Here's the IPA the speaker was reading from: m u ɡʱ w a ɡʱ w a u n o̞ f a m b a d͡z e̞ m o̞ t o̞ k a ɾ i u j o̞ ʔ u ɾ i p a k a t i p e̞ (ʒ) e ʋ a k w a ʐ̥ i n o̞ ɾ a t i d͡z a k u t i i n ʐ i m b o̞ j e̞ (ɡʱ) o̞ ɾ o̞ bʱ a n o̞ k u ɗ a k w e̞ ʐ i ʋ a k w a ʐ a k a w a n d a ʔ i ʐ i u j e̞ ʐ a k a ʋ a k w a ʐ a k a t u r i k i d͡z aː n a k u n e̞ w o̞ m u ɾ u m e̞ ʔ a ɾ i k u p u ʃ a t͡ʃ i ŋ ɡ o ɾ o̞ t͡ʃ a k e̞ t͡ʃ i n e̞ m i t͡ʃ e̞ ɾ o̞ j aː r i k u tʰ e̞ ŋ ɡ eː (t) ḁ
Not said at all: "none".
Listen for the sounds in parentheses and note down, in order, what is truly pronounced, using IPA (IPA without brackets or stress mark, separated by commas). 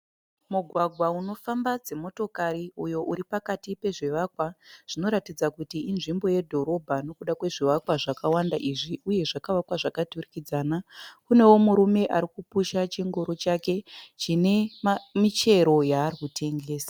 ʐ, dʱ, s